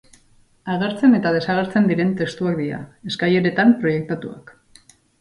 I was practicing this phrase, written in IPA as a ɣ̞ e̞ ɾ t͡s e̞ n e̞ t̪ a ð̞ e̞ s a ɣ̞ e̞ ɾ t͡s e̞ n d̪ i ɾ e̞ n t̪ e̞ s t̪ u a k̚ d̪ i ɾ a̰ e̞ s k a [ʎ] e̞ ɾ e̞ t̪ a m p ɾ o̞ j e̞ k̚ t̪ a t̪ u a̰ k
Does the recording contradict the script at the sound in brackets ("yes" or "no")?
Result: yes